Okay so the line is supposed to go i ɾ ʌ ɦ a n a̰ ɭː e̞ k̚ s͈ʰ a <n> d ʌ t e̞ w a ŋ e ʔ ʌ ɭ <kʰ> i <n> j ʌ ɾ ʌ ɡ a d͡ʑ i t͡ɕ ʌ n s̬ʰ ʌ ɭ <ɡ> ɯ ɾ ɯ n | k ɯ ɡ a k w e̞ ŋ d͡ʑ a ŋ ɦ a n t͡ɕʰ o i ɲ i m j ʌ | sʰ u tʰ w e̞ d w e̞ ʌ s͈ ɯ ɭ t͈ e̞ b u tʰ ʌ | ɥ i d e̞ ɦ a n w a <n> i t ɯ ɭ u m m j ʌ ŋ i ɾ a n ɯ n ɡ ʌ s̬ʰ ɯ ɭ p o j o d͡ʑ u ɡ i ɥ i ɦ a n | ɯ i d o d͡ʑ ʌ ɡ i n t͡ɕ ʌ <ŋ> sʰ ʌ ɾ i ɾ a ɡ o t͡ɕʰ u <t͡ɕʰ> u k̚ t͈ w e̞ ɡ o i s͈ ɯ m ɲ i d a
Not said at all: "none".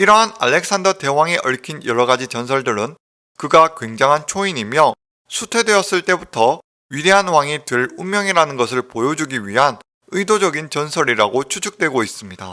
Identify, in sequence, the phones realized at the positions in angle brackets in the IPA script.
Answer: n, kʰ, n, d, ŋ, n, t͡ɕʰ

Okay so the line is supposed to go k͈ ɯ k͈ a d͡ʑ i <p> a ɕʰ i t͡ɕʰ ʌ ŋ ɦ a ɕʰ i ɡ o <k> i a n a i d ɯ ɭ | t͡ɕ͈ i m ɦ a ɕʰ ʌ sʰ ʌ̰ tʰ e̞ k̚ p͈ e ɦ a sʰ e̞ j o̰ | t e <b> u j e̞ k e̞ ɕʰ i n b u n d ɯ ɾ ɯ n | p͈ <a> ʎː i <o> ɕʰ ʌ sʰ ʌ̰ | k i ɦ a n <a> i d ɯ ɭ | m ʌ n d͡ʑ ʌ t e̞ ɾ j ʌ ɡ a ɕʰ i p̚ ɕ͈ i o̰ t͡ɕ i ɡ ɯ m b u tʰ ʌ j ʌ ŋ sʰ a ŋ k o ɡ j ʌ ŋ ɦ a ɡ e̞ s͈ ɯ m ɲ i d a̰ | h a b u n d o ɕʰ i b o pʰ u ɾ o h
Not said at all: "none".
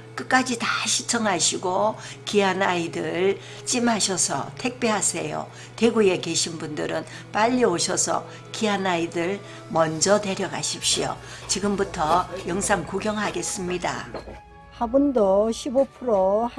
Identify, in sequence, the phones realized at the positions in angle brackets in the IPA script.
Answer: t, k, ɡ, a, o, a

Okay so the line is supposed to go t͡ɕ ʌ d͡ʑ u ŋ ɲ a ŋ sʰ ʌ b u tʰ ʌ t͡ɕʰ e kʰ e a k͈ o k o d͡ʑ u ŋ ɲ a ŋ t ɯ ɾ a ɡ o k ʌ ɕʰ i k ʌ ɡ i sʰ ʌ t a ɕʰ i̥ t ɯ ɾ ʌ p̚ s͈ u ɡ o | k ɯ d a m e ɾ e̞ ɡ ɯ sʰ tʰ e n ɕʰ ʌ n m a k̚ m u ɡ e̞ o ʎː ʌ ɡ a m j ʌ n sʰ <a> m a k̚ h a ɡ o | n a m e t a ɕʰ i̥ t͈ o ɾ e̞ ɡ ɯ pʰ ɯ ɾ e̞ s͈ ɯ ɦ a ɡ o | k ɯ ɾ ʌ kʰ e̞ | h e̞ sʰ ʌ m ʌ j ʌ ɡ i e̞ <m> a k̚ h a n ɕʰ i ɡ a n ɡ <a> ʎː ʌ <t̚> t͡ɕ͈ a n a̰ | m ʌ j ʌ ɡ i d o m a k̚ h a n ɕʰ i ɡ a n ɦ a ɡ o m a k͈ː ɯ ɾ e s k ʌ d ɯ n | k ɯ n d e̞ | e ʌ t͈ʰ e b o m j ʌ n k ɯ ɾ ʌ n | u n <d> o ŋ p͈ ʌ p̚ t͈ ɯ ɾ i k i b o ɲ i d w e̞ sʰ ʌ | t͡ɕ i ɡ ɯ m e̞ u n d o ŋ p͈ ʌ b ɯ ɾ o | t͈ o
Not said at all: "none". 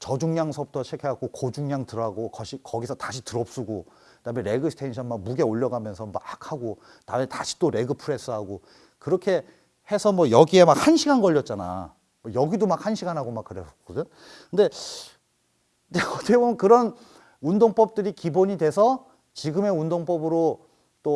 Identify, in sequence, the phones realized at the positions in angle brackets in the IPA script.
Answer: ʌ, m, ʌ, t̚, d

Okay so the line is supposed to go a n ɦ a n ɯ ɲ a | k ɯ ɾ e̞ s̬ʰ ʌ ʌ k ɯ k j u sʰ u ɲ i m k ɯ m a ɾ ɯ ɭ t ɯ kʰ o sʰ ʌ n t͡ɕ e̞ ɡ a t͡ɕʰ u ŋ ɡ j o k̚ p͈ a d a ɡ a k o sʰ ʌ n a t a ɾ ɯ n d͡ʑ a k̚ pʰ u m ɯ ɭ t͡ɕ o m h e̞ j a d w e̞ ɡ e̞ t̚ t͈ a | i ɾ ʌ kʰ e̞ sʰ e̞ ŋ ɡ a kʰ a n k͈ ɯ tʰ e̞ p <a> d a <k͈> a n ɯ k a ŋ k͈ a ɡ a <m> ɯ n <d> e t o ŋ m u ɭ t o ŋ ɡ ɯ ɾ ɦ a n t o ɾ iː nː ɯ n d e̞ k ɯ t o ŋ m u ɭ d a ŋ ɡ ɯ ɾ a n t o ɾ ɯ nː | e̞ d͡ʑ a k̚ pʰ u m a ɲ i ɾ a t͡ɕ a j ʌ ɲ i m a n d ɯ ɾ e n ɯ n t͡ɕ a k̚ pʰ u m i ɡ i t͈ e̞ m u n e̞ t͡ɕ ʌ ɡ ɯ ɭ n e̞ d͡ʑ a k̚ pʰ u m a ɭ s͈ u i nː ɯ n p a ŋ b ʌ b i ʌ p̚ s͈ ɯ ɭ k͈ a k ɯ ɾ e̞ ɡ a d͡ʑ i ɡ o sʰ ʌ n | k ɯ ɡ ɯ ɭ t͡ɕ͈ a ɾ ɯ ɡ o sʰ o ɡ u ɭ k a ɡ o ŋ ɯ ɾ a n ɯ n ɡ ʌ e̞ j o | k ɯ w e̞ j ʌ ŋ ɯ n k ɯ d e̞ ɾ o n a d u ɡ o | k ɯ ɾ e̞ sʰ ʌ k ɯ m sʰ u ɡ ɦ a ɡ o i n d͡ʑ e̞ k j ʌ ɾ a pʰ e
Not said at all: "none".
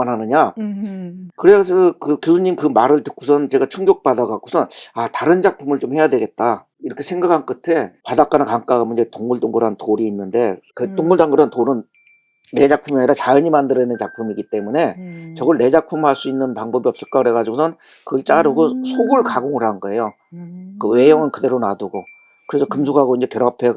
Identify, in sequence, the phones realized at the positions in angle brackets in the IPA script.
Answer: a, k͈, m, d͡ʑ

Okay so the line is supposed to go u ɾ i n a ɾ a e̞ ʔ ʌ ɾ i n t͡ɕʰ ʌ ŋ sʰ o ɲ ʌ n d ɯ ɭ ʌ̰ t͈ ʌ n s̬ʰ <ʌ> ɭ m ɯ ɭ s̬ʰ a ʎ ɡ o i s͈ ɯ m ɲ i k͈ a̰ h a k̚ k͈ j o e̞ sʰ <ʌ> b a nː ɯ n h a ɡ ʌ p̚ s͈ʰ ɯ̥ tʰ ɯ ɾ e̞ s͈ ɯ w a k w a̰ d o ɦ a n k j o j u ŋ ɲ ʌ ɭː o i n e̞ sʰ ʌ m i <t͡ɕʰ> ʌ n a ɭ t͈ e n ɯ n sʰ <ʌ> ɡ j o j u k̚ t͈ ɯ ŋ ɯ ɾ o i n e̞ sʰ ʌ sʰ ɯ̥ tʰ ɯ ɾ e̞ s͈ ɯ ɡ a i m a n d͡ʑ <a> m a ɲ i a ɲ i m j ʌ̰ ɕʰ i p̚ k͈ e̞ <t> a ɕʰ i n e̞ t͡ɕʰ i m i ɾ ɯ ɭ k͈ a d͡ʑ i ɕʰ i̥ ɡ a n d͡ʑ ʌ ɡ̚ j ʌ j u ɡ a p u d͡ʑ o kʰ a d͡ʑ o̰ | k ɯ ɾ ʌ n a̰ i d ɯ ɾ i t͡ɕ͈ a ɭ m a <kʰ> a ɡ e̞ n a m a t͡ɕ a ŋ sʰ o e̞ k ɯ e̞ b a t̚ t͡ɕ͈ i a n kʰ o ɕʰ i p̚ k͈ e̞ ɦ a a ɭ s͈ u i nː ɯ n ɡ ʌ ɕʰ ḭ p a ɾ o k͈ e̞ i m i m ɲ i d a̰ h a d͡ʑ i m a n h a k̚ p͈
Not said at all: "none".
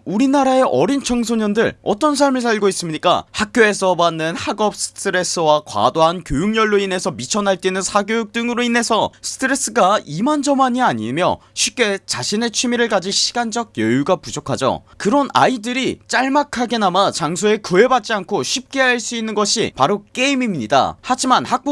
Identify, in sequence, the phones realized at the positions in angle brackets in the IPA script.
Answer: a, ʌ, t͡ɕʰ, a, ʌ, t͡ɕ, kʰ

